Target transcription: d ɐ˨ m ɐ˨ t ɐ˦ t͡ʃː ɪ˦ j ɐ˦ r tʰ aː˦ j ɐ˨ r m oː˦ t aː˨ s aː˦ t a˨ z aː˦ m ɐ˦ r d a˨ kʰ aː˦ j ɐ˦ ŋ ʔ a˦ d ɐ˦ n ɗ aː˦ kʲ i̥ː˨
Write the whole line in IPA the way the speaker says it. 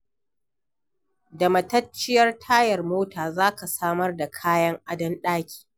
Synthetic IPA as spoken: d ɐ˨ m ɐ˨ t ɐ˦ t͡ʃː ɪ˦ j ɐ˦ r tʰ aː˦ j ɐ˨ r m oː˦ t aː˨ z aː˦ k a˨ s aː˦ m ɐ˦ r d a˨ kʰ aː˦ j ɐ˦ ŋ ʔ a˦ d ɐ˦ n ɗ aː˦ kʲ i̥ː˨